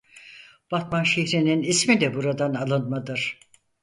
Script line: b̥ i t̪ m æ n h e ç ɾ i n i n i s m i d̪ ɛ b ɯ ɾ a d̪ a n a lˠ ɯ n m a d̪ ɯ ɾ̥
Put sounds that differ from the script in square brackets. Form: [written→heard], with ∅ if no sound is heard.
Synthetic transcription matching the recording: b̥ [i→a] t̪ m [æ→a] n [h→ʃ] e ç ɾ i n i n i s m i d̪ ɛ b [ɯ→u] ɾ a d̪ a n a lˠ ɯ n m a d̪ ɯ ɾ̥